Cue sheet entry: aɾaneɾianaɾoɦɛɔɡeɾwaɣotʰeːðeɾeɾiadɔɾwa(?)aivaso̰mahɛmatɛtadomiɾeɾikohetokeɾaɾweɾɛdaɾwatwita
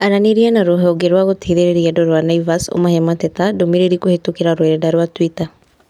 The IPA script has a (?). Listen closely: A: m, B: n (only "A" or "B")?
B